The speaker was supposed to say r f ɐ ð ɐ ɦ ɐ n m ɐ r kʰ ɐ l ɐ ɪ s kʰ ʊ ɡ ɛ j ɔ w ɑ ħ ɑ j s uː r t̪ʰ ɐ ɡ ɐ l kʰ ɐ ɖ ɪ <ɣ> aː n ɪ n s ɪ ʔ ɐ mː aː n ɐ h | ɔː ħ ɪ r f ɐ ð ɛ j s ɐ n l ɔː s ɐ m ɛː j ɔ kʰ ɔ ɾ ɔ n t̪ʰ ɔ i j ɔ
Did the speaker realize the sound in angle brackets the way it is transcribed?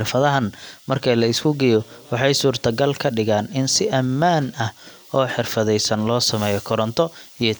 yes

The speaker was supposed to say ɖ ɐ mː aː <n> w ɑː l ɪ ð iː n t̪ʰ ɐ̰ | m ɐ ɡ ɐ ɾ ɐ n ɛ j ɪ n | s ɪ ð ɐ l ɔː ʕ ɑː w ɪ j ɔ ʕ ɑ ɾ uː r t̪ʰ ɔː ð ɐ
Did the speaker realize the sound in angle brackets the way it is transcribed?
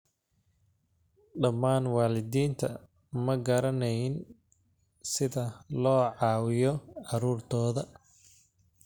yes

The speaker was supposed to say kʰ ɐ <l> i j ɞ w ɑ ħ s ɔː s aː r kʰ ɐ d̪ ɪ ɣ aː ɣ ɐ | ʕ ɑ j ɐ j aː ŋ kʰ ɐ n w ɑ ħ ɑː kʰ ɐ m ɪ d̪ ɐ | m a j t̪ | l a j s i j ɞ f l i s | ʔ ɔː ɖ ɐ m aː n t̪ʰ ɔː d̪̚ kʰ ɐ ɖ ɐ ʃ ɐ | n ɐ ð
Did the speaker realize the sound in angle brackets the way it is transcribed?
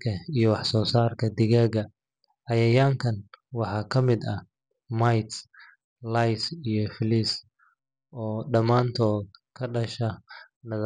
no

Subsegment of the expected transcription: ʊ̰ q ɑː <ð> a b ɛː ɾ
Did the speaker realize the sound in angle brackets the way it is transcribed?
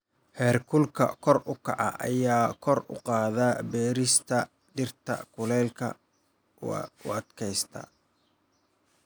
yes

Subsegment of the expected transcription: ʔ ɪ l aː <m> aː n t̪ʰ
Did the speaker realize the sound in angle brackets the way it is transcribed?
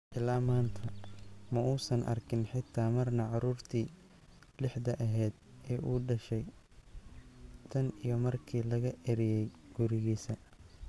yes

